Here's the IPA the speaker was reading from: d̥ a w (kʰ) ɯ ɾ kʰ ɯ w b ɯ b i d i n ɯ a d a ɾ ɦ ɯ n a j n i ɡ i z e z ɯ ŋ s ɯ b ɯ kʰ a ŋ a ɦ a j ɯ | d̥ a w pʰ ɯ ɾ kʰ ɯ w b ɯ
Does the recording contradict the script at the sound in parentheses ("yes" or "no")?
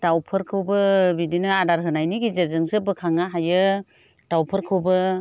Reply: yes